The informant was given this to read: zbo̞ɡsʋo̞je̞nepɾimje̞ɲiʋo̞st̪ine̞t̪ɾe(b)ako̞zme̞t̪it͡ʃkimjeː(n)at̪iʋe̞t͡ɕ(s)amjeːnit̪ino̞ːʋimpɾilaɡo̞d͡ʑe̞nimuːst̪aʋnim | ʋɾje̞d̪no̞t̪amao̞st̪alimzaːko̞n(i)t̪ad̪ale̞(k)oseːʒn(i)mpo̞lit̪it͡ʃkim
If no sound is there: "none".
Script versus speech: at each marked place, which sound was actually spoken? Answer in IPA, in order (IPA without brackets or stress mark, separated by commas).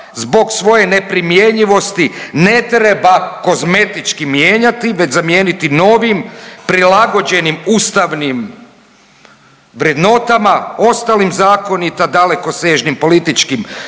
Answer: b, ɲ, z, i, k, i